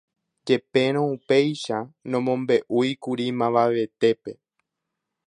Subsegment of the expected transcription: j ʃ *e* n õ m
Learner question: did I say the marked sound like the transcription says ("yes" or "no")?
no